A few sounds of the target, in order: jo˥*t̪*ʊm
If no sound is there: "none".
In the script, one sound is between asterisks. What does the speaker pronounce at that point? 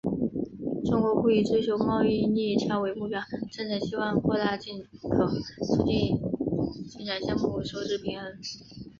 none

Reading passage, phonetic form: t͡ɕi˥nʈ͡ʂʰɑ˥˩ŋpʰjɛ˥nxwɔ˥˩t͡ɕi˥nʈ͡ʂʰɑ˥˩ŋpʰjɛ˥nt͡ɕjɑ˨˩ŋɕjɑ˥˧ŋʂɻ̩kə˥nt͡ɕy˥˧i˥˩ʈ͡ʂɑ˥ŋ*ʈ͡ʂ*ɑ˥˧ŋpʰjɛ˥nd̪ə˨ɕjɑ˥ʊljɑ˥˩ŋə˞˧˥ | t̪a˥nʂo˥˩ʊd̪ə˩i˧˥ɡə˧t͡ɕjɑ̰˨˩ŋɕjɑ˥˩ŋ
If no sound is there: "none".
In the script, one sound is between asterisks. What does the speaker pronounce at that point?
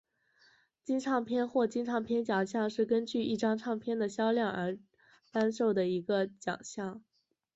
ʈ͡ʂʰ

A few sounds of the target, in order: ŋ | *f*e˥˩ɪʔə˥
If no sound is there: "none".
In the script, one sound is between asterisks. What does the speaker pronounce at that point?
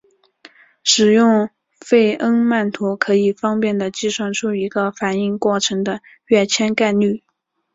f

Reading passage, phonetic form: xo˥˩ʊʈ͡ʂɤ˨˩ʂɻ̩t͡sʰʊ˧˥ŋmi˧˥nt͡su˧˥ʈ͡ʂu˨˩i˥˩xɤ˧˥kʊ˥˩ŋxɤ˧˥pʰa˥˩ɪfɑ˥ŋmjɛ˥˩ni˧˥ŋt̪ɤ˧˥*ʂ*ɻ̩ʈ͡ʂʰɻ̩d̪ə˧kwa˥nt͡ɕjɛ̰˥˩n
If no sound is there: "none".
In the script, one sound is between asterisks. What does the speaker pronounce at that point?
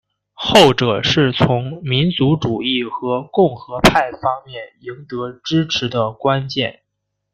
ʈ͡ʂ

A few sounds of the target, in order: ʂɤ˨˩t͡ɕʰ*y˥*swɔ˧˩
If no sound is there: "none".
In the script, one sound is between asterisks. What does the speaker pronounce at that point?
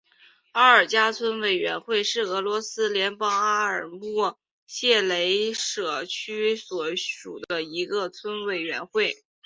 y˥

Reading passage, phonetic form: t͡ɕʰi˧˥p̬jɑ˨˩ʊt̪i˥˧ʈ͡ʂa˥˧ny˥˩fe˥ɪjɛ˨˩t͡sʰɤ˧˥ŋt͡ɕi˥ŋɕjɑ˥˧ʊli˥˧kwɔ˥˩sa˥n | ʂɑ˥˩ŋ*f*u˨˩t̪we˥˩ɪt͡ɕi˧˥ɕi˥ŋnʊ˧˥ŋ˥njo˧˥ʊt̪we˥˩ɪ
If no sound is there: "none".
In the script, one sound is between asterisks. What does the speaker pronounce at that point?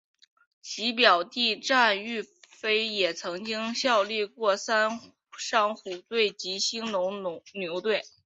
x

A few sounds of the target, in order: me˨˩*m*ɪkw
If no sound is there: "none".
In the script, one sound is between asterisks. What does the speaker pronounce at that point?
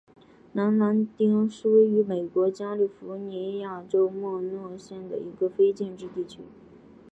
none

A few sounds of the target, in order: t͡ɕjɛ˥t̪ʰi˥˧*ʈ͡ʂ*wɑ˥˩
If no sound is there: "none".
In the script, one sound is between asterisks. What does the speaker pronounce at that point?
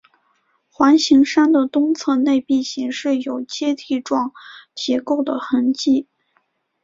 ʈ͡ʂ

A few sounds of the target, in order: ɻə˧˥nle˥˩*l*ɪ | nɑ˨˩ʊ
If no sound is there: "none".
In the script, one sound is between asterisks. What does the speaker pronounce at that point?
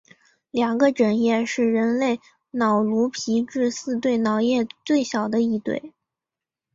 none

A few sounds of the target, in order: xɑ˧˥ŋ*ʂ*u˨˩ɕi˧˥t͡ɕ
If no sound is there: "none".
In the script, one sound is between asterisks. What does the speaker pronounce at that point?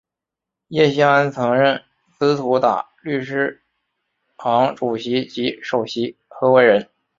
ʈ͡ʂ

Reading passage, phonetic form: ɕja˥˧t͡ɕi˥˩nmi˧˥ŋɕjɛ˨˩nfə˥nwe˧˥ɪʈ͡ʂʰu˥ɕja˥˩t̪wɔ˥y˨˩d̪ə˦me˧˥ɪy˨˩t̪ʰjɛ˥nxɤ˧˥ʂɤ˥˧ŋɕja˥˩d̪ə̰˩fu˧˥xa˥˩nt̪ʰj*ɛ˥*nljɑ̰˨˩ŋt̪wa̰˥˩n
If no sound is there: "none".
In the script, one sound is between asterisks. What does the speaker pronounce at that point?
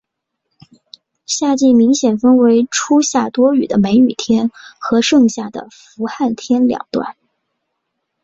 ɛ˥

